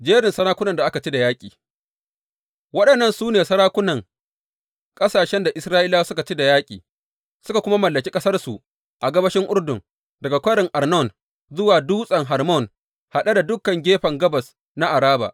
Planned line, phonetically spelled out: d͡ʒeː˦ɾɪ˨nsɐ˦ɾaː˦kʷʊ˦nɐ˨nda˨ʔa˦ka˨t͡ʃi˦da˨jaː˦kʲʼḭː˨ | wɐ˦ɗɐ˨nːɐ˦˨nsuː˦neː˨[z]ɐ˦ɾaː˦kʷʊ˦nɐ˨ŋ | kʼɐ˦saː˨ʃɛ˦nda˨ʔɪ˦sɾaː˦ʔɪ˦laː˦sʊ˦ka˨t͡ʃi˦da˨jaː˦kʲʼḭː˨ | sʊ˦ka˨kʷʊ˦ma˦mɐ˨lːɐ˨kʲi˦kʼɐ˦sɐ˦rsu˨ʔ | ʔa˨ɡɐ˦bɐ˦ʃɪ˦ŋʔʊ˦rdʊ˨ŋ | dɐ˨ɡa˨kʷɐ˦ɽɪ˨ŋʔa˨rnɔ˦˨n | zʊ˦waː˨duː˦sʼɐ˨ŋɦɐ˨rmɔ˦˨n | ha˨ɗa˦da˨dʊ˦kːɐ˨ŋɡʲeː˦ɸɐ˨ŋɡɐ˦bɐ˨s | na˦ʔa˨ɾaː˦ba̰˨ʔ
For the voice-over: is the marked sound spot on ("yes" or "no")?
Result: no